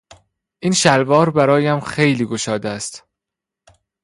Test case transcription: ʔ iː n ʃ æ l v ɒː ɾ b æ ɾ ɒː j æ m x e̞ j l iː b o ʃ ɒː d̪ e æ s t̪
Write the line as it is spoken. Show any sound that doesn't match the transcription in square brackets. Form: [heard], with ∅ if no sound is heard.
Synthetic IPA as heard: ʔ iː n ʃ æ l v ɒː ɾ b æ ɾ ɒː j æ m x e̞ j l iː [ɡ] o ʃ ɒː d̪ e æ s t̪